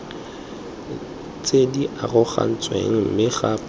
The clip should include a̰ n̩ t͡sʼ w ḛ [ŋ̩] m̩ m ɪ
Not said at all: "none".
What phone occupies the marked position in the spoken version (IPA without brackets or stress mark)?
ŋ̩